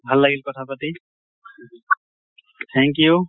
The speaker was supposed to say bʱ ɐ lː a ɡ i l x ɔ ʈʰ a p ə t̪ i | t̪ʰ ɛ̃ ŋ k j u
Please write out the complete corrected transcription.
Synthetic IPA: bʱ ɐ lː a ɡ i l k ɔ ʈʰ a p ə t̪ i | t̪ʰ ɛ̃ ŋ k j u